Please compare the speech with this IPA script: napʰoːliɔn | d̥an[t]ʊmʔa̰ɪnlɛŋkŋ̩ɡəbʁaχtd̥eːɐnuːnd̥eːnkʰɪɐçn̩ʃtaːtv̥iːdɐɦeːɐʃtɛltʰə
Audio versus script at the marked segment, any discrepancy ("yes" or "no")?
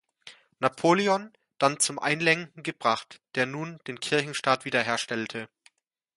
yes